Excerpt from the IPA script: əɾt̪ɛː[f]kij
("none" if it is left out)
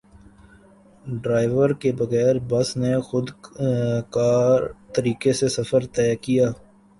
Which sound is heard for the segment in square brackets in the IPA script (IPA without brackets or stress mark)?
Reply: none